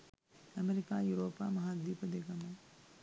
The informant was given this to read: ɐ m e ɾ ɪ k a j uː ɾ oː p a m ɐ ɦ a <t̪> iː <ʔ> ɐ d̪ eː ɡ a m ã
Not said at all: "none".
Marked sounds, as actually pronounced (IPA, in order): d̪, p

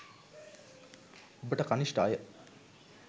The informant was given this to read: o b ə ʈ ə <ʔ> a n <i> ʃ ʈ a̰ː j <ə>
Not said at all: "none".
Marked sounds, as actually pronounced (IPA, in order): k, i, ə

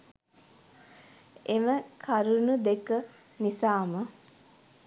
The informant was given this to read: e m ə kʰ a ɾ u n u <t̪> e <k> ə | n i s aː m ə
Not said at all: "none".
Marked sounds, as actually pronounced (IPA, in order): d̪, k

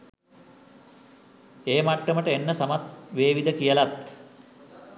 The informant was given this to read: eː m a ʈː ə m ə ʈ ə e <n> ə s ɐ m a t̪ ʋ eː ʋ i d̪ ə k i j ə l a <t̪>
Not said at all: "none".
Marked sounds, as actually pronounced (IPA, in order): nː, t̪

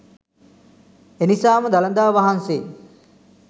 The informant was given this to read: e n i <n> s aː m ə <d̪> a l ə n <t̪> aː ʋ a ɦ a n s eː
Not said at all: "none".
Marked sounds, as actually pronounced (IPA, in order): none, d̪, d̪

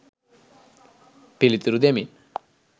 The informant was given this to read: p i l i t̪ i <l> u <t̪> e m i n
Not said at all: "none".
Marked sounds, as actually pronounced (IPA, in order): ɾ, d̪

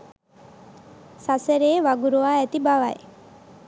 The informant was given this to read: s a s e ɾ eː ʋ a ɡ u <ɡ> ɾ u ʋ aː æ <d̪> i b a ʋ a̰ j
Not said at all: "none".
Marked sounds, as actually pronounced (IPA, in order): none, t̪

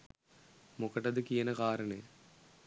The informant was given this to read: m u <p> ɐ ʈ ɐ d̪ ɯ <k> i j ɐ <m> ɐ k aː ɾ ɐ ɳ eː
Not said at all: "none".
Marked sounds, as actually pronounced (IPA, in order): k, k, n

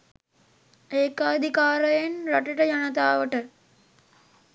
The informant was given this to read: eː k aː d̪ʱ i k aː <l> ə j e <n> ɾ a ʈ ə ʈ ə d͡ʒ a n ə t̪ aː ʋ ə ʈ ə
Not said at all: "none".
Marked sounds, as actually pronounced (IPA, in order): ɾ, n

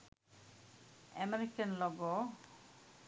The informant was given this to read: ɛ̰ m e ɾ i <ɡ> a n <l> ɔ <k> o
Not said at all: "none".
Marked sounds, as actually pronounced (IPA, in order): k, l, ɡ

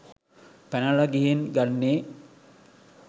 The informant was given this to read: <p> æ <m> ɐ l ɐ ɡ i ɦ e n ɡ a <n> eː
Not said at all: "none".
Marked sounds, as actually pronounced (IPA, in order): p, n, nː

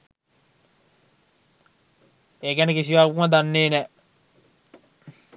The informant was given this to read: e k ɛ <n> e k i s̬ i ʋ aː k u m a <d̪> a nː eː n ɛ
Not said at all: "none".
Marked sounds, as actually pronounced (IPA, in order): n, d̪

